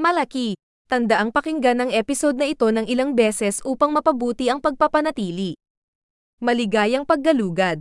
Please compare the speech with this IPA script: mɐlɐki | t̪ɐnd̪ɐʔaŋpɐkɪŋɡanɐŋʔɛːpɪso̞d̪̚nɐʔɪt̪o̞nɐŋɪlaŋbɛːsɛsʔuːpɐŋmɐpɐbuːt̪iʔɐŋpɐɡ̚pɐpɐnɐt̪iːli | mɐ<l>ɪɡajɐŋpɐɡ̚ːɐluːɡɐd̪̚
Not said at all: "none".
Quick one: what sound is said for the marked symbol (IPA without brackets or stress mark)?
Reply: l